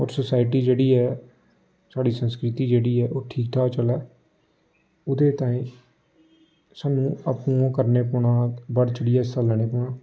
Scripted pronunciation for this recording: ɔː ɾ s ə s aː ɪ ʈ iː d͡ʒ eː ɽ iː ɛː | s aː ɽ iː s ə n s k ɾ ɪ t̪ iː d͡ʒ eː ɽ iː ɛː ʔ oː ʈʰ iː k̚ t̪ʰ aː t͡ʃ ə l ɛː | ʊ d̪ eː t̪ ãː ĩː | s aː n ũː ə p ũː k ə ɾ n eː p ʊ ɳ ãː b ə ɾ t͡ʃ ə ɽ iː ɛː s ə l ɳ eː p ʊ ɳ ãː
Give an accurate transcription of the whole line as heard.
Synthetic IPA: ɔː ɾ s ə s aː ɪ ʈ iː d͡ʒ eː ɽ iː ɛː | s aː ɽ iː s ə n s k ɾ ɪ t̪ iː d͡ʒ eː ɽ iː ɛː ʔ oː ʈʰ iː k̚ t̪ʰ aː t͡ʃ ə l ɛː | ʊ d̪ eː t̪ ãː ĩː | s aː n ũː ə p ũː k ə ɾ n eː p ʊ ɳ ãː b ə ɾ t͡ʃ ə ɽ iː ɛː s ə l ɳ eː p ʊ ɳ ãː